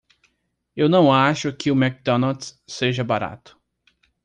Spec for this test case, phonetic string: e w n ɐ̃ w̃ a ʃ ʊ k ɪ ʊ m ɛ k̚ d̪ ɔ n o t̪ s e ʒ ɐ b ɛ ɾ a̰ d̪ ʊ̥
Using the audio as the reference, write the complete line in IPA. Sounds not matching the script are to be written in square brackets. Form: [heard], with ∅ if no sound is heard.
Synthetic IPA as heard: e w n ɐ̃ w̃ a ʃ ʊ k ɪ ʊ m ɛ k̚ d̪ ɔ n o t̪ s e ʒ ɐ b [a] ɾ a̰ [t̪] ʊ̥